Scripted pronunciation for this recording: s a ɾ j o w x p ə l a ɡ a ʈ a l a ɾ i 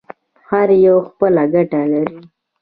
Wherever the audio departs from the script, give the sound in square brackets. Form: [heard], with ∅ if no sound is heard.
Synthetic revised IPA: [h] a ɾ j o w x p ə l a ɡ a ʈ a l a ɾ i

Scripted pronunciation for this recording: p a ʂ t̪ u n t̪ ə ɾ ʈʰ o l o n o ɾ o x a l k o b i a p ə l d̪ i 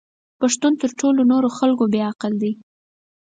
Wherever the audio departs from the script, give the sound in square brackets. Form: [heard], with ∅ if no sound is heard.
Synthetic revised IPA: p a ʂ t̪ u n t̪ ə ɾ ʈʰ o l o n o ɾ o x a l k o b [e] a [q] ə l d̪ i

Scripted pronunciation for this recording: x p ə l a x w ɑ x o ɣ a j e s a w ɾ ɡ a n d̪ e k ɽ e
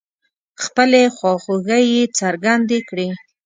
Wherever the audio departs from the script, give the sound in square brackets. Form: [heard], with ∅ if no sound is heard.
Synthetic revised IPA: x p ə l [e] x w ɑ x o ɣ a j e [t͡s] a [∅] ɾ ɡ a n d̪ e k ɽ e

